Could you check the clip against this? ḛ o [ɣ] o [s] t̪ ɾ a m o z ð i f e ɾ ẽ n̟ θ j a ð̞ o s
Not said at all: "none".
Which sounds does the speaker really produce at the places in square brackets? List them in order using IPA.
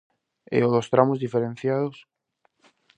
ð, s

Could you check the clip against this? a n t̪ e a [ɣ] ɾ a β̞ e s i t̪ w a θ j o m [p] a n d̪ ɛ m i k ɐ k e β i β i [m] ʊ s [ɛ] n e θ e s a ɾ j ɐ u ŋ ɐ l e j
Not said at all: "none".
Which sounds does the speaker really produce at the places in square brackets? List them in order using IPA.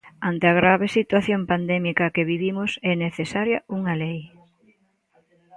ɣ, p, m, ɛ

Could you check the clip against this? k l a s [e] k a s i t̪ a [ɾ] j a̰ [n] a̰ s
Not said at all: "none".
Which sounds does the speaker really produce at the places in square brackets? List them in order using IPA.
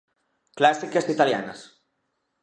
i, l, n

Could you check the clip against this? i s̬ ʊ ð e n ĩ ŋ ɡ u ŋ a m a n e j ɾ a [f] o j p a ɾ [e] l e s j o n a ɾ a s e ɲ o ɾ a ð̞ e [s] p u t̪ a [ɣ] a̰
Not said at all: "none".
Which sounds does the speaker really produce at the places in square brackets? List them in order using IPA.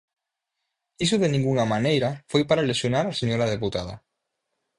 f, a, none, ð

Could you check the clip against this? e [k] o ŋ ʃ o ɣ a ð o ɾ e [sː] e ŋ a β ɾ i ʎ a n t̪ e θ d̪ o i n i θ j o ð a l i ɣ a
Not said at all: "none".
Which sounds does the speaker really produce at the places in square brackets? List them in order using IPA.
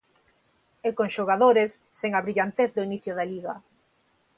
k, sː

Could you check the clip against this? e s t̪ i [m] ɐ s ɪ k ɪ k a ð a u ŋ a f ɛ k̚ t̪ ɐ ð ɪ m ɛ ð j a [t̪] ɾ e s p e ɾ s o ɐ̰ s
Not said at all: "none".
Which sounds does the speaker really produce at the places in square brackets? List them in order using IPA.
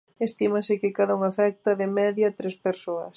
m, t̪

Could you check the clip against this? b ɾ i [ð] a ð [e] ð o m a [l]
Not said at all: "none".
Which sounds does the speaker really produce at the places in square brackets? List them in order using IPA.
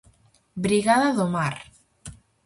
ɣ, a, ɾ

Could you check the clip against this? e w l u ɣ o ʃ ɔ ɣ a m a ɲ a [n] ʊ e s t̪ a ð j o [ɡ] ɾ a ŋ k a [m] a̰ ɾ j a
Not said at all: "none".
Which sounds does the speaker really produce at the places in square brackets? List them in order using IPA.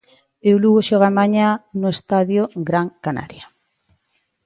n, ɡ, n

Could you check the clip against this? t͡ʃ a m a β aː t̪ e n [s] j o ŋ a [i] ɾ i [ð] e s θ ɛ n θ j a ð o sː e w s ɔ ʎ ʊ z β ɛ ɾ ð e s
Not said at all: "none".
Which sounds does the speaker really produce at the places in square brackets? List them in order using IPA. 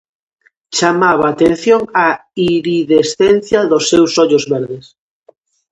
θ, i, ð

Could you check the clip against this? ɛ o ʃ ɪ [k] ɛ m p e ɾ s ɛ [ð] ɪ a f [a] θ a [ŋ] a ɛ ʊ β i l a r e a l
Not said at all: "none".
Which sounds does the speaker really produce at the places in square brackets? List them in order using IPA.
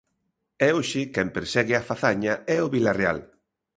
k, ɣ, a, ɲ

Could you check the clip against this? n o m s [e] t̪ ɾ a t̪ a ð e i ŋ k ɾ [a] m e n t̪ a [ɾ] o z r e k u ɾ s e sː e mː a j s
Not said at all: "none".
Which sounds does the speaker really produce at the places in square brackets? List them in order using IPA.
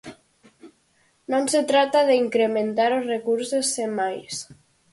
e, e, ɾ

